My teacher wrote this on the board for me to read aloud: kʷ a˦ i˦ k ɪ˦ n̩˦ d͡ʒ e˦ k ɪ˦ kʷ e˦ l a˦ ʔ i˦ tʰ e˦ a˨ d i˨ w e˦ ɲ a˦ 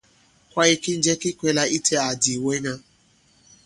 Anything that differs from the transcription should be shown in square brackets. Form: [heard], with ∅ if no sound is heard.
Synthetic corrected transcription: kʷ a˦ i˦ k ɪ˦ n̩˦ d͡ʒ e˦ k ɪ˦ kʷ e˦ l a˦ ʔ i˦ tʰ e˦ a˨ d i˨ w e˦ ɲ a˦